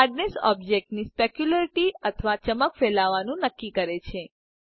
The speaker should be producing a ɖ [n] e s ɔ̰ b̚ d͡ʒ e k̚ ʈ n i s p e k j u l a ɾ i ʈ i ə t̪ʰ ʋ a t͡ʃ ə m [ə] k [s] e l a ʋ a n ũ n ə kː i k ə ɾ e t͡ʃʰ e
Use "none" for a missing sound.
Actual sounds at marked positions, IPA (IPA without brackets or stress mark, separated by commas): n, ə, f